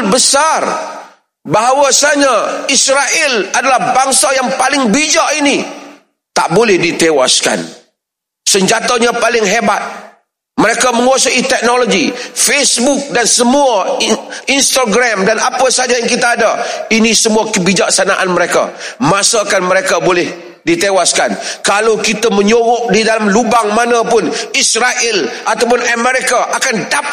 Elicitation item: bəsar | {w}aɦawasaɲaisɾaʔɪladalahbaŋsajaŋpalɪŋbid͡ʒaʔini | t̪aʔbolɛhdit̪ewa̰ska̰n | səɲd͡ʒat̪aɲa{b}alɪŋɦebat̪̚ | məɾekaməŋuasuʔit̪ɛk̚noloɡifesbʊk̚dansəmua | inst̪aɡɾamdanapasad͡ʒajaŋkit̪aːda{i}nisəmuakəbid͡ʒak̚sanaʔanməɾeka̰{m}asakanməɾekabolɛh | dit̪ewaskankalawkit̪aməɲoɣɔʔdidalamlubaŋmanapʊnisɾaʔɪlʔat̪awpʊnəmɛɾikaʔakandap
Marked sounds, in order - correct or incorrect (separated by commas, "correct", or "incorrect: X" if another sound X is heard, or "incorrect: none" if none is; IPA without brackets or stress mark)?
incorrect: b, incorrect: p, correct, correct